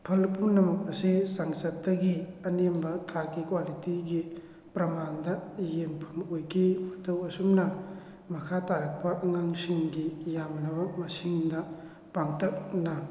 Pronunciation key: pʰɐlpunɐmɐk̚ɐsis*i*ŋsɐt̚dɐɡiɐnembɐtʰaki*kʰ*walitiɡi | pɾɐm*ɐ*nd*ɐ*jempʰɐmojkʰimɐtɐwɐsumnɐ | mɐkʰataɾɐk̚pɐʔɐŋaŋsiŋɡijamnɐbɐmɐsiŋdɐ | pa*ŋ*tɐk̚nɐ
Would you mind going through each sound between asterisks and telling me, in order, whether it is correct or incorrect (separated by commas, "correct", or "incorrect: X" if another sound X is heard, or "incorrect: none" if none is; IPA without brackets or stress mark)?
incorrect: a, incorrect: k, incorrect: a, correct, correct